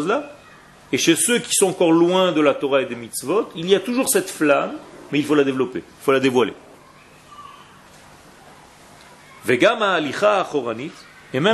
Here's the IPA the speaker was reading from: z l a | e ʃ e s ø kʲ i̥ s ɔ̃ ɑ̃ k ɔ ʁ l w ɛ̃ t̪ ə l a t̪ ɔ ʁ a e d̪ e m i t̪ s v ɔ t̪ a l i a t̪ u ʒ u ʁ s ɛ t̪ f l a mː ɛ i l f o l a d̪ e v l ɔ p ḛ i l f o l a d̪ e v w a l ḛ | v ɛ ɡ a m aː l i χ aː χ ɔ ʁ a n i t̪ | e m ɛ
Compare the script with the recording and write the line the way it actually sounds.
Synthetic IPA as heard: z l a | e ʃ e s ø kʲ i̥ s ɔ̃ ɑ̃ k ɔ ʁ l w ɛ̃ d̪ ə l a t̪ ɔ ʁ a e d̪ e m i t̪ s v ɔ t̪ i l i a t̪ u ʒ u ʁ s ɛ t̪ f l a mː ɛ i l f o l a d̪ e v l ɔ p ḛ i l f o l a d̪ e v w a l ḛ | v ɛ ɡ a m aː l i χ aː χ ɔ ʁ a n i t̪ | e m ɛ